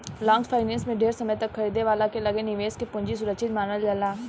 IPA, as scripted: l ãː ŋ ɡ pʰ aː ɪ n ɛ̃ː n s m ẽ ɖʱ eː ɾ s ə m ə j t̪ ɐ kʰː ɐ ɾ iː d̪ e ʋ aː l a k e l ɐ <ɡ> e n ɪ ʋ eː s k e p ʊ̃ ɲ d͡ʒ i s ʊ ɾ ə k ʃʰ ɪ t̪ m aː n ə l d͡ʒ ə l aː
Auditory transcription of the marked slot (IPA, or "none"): ɡ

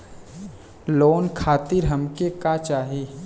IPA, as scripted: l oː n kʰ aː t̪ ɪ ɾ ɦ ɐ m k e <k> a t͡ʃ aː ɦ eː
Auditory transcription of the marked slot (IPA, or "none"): k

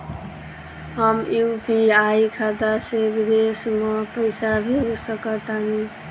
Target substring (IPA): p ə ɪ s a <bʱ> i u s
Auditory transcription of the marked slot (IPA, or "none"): bʱ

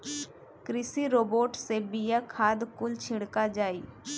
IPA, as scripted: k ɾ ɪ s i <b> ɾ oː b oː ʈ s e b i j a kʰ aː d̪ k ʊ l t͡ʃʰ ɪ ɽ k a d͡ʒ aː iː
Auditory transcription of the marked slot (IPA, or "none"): none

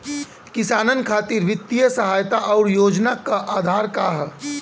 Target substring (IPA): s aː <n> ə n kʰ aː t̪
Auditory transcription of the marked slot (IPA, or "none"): n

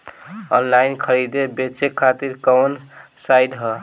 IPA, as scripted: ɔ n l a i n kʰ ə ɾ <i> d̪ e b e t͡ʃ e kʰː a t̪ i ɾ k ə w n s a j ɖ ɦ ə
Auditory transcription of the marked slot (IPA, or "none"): i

